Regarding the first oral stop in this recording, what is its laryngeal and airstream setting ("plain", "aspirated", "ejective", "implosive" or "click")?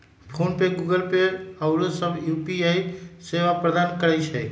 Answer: aspirated